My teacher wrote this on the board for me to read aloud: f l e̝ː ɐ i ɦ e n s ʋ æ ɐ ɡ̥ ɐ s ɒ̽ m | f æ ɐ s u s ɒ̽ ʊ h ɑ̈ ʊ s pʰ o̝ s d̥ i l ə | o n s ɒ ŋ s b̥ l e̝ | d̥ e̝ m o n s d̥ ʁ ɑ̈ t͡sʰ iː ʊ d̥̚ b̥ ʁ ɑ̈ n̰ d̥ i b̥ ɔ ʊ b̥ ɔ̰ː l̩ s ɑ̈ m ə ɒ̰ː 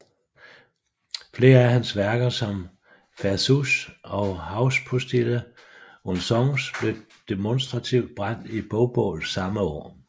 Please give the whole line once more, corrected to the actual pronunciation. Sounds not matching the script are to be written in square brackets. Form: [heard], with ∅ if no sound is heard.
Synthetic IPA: f l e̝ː ɐ [æ] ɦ [æ] n s ʋ æ ɐ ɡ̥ ɐ s ɒ̽ m | f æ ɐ s u s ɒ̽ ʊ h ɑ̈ ʊ s pʰ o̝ s d̥ i l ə | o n s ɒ ŋ s b̥ l e̝ | d̥ e̝ m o n s d̥ ʁ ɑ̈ t͡sʰ [i] ʊ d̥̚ b̥ ʁ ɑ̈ n̰ d̥ i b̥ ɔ ʊ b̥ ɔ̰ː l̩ s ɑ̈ m ə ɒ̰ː